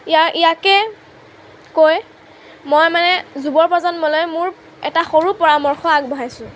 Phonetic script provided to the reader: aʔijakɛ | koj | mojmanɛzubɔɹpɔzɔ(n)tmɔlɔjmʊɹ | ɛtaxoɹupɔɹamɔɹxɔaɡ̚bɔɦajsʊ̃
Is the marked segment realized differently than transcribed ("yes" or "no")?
no